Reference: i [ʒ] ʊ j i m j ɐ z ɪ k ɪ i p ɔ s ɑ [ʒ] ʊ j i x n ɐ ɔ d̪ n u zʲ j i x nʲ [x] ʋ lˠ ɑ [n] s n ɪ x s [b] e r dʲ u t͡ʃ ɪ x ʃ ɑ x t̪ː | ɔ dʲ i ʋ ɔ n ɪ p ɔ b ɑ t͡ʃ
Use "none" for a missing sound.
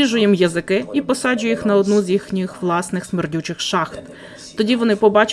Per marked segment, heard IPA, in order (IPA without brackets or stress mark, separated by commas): ʒ, d͡ʒ, x, none, m